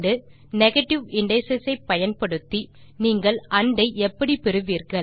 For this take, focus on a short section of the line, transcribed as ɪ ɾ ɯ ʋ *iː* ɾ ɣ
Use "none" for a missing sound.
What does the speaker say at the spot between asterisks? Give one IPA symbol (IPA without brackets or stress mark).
iː